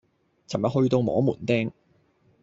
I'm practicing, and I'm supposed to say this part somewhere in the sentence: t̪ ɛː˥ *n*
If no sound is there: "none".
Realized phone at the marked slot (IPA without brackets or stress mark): ŋ